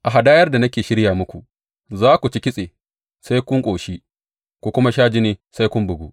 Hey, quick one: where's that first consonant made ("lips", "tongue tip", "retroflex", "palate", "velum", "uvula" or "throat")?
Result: throat